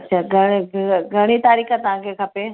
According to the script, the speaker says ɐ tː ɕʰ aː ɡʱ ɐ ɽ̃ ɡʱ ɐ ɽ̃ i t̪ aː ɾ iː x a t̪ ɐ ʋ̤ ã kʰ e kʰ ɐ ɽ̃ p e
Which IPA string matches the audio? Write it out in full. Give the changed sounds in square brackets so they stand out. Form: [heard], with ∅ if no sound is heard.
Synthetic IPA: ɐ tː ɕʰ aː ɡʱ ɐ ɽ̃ ɡʱ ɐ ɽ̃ i t̪ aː ɾ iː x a t̪ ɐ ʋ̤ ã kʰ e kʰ ɐ [∅] p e